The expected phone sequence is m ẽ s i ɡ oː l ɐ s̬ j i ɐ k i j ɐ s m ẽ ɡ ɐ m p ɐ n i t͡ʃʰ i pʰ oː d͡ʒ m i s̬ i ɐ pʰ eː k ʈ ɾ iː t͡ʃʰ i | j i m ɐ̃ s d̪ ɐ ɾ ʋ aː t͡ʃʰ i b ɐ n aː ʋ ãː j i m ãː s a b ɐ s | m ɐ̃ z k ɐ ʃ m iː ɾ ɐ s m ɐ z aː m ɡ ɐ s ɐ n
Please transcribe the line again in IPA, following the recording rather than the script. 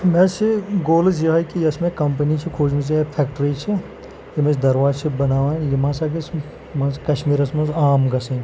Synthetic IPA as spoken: m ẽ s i ɡ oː l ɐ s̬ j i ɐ k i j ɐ s m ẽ k ɐ m p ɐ n i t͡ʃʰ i kʰ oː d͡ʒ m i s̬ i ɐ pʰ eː k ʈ ɾ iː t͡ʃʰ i | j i m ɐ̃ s d̪ ɐ ɾ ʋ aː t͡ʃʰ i b ɐ n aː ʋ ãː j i m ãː s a ɡ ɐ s | m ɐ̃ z k ɐ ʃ m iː ɾ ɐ s m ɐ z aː m ɡ ɐ s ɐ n